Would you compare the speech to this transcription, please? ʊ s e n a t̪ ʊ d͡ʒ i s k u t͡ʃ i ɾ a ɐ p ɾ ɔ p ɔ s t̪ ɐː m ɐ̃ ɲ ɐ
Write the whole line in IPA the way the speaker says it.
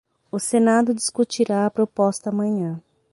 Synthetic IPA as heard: ʊ s e n a d̪ ʊ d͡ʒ i s k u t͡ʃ i ɾ a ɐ p ɾ o p ɔ s t̪ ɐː m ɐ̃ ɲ ɐ̃